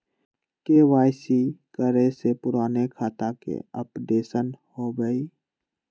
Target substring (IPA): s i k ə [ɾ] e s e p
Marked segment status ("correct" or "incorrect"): correct